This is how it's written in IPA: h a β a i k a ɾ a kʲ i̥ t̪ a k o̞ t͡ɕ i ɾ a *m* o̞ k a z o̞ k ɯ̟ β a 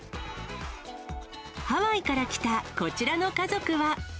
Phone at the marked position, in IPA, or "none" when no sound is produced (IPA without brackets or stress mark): n